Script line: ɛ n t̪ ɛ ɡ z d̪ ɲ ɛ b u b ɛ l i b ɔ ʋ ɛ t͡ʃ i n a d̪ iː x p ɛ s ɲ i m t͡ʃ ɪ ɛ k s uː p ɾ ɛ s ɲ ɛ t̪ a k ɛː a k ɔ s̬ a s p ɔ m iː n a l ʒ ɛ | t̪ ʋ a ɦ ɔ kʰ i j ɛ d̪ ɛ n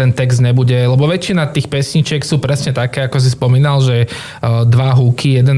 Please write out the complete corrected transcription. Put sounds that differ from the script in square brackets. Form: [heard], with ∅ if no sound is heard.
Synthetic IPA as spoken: ɛ n t̪ ɛ ɡ z d̪ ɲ ɛ b u [ɟ] ɛ l [ɛ] b ɔ ʋ ɛ t͡ʃ i n a [t̪] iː x p ɛ s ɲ i [∅] t͡ʃ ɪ ɛ k s uː p ɾ ɛ s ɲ ɛ t̪ a k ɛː a k ɔ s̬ [i] s p ɔ m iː n a l ʒ ɛ | [d̪] ʋ a ɦ [u] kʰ i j ɛ d̪ ɛ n